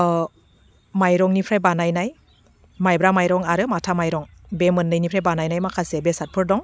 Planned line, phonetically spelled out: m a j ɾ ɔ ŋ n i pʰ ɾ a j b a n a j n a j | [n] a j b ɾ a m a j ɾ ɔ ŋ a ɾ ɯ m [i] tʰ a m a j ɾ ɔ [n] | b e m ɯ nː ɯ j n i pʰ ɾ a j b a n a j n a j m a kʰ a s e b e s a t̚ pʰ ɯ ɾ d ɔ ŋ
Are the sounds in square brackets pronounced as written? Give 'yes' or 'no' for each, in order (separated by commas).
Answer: no, no, no